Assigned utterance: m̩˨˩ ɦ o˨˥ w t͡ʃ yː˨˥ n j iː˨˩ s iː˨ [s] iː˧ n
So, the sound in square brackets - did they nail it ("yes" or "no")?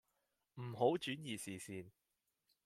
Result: yes